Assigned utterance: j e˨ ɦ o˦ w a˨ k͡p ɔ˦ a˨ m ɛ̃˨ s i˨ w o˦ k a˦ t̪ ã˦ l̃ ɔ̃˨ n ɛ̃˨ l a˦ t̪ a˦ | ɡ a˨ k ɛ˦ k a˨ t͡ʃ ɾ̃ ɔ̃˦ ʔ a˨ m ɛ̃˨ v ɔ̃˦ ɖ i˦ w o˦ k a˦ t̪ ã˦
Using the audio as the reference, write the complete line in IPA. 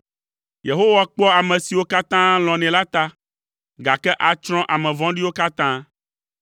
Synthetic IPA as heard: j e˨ ɦ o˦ w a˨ k͡p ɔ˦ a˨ m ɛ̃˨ s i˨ w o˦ k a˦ t̪ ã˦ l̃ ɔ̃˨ n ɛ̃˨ l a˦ t̪ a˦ | ɡ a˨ k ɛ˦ ʔ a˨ t͡ʃ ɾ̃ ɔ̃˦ ʔ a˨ m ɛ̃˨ v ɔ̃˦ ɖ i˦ w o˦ k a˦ t̪ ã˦